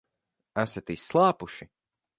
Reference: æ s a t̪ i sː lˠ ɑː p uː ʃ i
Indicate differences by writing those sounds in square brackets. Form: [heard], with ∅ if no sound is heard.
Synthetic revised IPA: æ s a t̪ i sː lˠ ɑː p [u] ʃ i

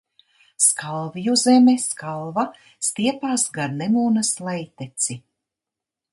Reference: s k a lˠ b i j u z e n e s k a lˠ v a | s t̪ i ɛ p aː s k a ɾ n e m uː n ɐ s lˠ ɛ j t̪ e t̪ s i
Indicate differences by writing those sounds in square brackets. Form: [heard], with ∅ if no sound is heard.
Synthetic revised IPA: s k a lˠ [v] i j u z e [m] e s k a lˠ v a | s t̪ i ɛ p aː s [ɡ] a ɾ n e m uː n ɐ s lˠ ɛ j t̪ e t̪ s i

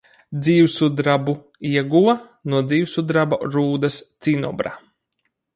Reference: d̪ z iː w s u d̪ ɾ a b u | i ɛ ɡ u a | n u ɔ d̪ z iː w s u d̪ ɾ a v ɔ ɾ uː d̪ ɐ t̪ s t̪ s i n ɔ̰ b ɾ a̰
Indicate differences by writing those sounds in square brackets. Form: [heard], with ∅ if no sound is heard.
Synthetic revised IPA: d̪ z iː w s u d̪ ɾ a b u | i ɛ ɡ u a | n u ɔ d̪ z iː w s u d̪ ɾ a [b] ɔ ɾ uː d̪ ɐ [∅] s t̪ s i n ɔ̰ b ɾ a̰

